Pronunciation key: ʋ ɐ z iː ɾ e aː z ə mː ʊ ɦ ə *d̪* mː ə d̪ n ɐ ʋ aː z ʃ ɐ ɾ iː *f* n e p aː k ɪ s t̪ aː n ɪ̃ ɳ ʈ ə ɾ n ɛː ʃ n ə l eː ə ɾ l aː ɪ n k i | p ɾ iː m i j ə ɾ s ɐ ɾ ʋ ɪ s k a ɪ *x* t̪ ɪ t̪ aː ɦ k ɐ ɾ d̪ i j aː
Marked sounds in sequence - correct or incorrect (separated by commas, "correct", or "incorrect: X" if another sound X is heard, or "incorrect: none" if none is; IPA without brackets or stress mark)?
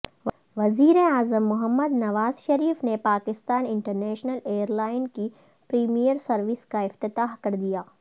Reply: incorrect: none, correct, incorrect: f